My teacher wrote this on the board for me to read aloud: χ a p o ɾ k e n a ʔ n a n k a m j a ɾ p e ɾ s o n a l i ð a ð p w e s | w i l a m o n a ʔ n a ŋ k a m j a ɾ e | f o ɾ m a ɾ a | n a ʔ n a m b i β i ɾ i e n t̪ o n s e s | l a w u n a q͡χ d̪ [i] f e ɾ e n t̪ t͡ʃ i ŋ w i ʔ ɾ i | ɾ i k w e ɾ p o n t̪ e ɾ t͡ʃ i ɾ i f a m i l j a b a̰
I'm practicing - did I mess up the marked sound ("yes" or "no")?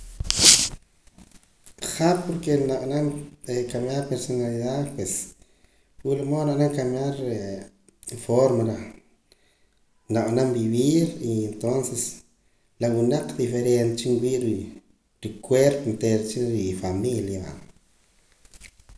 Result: no